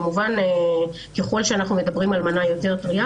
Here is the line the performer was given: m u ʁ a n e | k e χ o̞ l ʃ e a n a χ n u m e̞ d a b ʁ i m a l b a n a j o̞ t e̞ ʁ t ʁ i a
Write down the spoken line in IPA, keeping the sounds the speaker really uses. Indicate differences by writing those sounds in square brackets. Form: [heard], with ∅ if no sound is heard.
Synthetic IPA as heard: m u [v] a n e | k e χ o̞ l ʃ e a n a χ n u m e̞ d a b ʁ i m a l [m] a n a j o̞ t e̞ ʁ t ʁ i a